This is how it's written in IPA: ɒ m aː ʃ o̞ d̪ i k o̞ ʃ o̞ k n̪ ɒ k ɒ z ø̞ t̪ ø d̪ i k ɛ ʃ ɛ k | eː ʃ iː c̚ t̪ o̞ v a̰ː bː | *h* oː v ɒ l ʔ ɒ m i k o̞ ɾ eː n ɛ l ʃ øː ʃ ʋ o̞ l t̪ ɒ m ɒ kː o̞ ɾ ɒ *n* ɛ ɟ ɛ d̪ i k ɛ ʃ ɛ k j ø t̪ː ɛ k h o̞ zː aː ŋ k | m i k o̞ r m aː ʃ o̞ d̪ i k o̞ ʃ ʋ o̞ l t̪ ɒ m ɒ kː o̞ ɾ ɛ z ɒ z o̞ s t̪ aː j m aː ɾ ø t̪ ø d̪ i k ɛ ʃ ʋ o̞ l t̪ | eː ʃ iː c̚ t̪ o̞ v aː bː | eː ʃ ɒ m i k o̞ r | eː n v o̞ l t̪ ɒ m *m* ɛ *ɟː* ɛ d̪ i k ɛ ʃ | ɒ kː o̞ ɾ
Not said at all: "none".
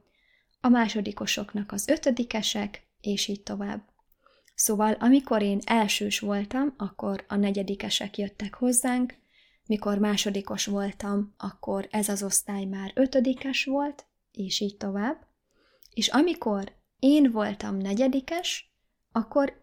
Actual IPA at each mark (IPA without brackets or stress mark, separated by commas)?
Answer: s, n, n, ɟ